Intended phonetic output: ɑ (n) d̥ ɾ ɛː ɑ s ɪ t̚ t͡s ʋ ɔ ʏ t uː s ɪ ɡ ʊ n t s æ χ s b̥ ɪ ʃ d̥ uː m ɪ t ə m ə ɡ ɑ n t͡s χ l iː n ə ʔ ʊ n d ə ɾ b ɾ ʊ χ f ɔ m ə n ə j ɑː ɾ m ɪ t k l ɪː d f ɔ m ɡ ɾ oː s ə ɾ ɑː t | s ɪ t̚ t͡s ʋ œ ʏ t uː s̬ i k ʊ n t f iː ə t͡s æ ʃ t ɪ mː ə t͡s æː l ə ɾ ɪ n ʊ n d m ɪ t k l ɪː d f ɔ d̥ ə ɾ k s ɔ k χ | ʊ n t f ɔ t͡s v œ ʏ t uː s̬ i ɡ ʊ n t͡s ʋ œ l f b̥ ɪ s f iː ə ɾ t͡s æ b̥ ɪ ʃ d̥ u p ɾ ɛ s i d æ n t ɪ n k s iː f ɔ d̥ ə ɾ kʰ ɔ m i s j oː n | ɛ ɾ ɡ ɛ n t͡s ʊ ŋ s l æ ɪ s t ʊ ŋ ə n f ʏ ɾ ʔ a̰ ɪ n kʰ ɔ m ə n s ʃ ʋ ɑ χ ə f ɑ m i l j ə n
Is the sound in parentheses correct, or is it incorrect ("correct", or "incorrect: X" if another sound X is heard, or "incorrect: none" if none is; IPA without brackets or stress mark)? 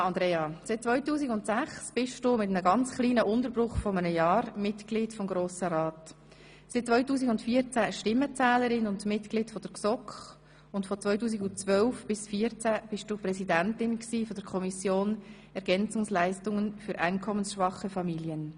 correct